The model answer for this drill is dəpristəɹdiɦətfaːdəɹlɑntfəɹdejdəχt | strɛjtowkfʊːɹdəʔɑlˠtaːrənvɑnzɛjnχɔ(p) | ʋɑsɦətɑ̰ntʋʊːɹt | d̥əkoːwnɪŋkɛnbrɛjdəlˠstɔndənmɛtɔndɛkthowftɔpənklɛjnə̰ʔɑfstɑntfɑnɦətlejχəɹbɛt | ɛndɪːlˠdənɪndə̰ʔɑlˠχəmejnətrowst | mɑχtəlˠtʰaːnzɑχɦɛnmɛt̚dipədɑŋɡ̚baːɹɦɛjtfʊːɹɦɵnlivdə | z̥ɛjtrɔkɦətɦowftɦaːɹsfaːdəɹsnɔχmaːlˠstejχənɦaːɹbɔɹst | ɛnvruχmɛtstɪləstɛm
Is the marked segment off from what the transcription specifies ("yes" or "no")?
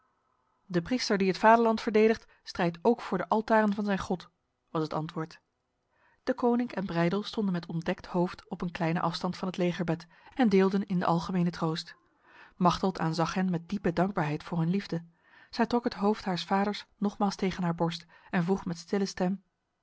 yes